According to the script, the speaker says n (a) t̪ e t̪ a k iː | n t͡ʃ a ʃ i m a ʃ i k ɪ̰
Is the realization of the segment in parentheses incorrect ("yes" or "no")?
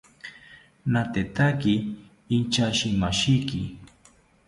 no